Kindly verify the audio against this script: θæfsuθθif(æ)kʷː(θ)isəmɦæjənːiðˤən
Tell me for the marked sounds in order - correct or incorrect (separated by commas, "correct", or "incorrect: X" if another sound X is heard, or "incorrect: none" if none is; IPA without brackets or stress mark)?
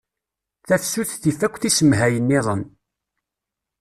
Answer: correct, correct